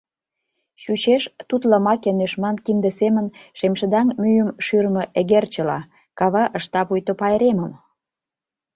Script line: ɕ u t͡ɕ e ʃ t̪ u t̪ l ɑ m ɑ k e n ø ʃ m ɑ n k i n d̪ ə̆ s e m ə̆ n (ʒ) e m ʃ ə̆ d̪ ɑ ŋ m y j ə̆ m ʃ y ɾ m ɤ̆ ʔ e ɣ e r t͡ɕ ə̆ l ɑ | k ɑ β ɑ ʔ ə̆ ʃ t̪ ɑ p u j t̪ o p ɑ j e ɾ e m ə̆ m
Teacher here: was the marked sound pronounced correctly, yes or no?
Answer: no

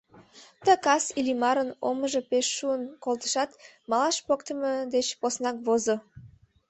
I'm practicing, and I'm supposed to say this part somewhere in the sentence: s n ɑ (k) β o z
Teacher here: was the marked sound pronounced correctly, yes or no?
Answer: yes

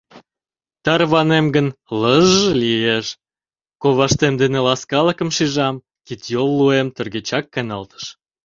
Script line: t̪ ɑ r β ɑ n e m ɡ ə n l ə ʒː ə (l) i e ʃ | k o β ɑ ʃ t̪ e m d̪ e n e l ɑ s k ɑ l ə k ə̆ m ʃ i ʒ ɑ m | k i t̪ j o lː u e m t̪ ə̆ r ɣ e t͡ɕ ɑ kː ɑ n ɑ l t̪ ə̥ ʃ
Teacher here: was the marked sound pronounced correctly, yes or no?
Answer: yes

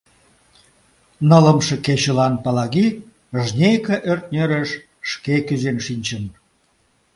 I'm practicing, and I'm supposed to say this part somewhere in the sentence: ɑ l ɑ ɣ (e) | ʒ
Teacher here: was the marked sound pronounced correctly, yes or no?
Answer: no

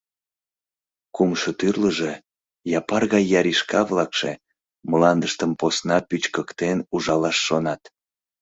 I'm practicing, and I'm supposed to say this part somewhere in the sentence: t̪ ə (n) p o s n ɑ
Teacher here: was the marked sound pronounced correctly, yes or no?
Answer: no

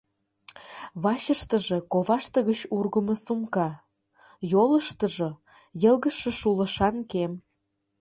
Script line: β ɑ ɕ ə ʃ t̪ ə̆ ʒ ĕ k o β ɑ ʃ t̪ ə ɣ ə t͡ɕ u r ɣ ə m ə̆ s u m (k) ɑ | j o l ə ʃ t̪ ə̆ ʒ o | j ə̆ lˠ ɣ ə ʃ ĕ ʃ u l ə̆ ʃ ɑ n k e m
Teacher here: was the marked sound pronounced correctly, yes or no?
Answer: yes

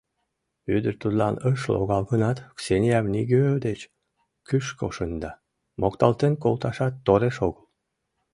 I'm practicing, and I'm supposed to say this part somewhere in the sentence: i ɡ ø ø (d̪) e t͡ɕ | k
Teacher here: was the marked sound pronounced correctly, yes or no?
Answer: yes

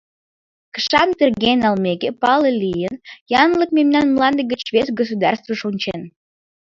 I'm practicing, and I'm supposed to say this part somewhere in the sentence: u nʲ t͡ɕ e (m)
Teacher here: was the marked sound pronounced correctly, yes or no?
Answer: no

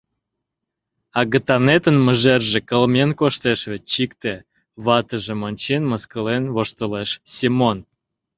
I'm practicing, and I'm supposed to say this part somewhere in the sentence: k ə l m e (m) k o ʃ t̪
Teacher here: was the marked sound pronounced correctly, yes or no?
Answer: no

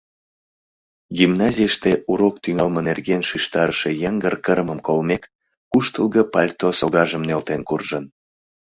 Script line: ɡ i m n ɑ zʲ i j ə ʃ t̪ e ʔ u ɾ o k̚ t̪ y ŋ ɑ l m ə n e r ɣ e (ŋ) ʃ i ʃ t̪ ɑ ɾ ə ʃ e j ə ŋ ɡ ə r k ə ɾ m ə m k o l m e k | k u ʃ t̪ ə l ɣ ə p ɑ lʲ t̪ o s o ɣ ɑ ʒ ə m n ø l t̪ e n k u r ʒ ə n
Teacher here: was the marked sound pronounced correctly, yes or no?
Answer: no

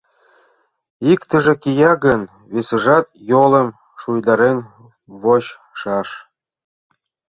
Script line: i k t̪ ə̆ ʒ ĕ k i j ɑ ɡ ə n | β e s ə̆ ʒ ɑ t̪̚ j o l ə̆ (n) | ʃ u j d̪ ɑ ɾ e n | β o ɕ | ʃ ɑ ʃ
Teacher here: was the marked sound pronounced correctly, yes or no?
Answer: no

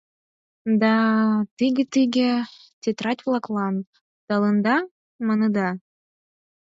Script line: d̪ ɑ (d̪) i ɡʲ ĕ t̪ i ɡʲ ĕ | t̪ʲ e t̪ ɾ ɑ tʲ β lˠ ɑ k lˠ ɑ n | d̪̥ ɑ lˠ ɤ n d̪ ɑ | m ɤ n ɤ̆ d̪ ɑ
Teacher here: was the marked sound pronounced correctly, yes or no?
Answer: no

